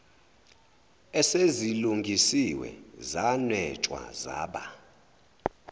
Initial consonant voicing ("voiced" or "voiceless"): voiceless